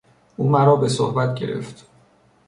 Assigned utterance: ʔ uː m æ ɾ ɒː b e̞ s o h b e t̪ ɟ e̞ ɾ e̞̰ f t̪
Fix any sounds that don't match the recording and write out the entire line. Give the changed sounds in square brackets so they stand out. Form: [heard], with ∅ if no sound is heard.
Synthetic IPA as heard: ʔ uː m æ ɾ ɒː b e̞ s o h b [æ] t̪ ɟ e̞ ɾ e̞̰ f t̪